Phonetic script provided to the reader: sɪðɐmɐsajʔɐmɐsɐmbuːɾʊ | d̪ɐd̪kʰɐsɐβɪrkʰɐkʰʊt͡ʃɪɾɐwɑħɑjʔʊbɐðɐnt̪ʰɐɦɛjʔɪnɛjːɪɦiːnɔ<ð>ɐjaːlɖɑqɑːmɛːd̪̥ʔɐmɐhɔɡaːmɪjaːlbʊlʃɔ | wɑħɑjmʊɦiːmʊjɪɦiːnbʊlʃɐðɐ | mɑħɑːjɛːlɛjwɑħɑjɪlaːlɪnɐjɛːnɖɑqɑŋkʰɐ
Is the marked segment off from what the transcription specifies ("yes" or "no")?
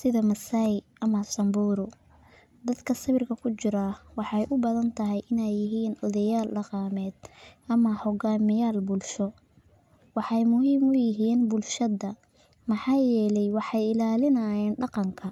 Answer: no